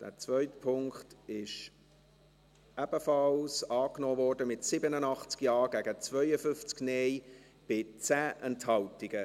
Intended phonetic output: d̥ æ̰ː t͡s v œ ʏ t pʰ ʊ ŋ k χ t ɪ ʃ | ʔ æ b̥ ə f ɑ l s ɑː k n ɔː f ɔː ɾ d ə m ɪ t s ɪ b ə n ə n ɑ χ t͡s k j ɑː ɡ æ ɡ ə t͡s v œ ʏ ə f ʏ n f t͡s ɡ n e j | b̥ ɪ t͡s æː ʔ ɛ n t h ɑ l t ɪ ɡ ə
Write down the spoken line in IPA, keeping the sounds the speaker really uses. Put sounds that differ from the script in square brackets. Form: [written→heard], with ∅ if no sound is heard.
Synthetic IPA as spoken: d̥ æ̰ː t͡s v œ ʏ t pʰ ʊ ŋ k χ t ɪ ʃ | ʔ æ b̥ ə f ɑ l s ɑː k n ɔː [f→v] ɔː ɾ d ə m ɪ t s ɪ b ə n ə n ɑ χ t͡s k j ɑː ɡ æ ɡ ə t͡s v œ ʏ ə f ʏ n f t͡s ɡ n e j | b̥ ɪ t͡s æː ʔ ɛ n t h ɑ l t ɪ ɡ ə